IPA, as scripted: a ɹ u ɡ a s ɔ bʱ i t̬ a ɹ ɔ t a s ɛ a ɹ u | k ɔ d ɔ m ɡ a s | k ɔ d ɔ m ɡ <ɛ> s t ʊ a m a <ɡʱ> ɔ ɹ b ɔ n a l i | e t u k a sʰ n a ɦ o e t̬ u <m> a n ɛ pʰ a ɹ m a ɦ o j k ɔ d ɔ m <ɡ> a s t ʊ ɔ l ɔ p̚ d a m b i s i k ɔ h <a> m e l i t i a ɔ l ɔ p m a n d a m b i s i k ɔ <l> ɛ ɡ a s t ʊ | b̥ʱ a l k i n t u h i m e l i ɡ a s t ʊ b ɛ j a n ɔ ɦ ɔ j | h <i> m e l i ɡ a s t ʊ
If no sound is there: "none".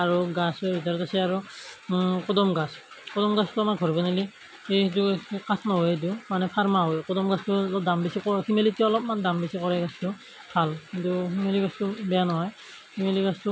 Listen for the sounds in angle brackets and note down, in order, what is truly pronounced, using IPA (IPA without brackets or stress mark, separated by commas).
a, ɡʱ, m, ɡ, i, ɹ, i